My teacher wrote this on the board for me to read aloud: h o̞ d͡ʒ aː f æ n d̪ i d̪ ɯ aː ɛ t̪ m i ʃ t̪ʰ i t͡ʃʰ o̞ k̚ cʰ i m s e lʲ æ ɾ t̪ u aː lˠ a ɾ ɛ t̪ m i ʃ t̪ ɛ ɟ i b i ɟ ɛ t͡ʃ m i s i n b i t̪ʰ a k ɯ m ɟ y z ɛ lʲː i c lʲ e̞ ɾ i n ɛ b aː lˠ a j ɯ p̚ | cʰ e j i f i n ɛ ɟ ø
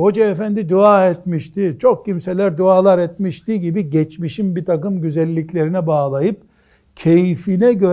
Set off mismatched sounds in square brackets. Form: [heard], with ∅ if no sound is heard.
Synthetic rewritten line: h o̞ d͡ʒ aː f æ n d̪ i d̪ [u] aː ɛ t̪ m i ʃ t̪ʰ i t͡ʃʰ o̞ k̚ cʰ i m s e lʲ æ ɾ [d̪] u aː lˠ a ɾ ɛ t̪ m i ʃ t̪ [i] ɟ i b i ɟ ɛ t͡ʃ m i [ʃ] i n b i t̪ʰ a k ɯ m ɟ y z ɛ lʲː i c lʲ e̞ ɾ i n ɛ b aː lˠ a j ɯ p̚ | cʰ e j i f i n ɛ ɟ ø